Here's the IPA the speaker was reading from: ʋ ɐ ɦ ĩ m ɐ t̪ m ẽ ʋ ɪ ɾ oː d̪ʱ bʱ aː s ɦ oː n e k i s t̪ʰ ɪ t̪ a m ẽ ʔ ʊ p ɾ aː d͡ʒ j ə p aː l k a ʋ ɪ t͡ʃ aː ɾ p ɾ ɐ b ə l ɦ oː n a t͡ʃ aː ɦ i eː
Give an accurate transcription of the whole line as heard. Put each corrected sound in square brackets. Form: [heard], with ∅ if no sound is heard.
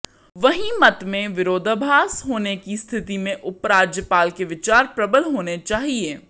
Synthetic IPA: ʋ ɐ ɦ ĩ m ɐ t̪ m ẽ ʋ ɪ ɾ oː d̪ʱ bʱ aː s ɦ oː n e k i s t̪ʰ ɪ t̪ [i] m ẽ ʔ ʊ p ɾ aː d͡ʒ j ə p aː l k [e] ʋ ɪ t͡ʃ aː ɾ p ɾ ɐ b ə l ɦ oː n [e] t͡ʃ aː ɦ i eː